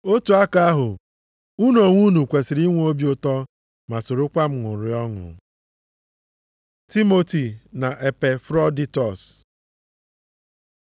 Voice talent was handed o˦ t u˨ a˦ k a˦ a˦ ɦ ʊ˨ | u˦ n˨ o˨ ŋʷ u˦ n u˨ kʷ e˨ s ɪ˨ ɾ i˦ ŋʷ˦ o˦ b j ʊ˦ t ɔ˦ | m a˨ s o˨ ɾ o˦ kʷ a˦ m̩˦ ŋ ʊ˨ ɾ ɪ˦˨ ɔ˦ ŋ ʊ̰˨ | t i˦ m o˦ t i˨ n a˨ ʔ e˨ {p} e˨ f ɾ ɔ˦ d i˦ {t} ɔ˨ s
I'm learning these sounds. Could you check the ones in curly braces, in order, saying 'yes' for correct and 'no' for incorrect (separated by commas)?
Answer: yes, yes